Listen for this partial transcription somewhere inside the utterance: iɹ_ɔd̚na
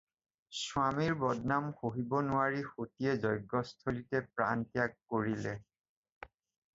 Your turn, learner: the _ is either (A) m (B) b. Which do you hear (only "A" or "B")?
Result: B